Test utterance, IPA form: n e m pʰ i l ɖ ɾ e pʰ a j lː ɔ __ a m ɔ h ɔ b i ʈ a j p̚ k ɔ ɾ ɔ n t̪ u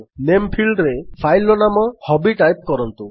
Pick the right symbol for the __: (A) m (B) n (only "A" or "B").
B